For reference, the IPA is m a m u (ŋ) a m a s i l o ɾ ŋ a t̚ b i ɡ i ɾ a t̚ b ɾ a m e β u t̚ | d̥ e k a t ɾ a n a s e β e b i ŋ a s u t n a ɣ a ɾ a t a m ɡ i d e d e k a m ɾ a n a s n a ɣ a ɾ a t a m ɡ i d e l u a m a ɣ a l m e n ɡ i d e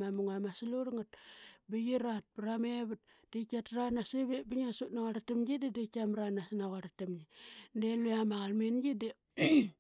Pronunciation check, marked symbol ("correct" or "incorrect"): correct